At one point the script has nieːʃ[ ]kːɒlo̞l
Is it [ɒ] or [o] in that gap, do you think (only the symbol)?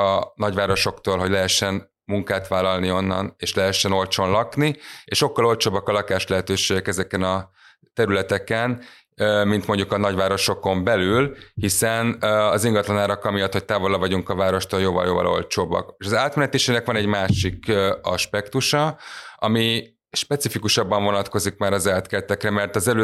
o